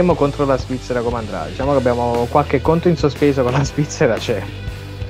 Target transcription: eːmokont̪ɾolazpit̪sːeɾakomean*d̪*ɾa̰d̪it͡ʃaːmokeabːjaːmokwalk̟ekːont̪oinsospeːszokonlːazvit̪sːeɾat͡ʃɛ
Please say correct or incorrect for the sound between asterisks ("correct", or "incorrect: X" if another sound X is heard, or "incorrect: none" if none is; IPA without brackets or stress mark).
correct